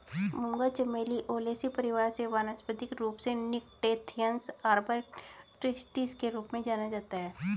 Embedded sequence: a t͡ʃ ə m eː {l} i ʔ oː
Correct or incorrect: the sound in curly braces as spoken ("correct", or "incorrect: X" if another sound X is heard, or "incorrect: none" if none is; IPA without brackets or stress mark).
correct